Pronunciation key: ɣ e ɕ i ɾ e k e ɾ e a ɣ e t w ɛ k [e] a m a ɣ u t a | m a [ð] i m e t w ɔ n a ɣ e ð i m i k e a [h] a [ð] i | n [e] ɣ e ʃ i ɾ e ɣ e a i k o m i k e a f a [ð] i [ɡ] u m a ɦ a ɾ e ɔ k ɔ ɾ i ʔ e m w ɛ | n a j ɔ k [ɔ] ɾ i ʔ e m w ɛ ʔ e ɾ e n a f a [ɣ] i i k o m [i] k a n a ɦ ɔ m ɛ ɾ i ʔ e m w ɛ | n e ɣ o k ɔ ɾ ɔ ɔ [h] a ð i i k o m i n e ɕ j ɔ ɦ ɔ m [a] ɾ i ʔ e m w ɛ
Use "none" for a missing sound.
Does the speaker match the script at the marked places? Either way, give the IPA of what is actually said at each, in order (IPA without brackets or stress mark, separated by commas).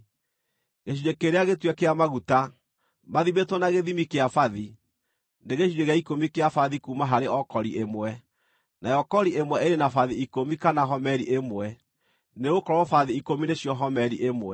e, ð, f, ð, e, ð, k, ɔ, ð, i, f, ɛ